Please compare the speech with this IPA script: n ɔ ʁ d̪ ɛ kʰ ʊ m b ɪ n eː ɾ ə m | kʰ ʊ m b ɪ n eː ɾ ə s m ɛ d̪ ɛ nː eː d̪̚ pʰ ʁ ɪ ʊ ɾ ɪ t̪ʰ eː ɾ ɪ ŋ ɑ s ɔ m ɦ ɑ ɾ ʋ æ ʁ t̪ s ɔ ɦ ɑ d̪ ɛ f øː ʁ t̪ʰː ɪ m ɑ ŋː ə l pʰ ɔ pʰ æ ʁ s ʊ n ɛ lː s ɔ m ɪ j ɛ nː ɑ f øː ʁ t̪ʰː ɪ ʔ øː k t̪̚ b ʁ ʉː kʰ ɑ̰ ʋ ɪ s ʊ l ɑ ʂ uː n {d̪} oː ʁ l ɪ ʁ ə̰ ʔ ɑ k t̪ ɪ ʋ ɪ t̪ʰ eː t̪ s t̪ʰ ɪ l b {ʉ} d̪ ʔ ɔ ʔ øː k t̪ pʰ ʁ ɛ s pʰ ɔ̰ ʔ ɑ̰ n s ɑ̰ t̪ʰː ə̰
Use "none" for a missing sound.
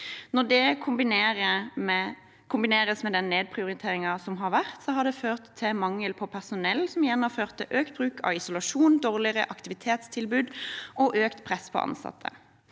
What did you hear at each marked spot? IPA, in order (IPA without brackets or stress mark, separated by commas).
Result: d̪, ʉː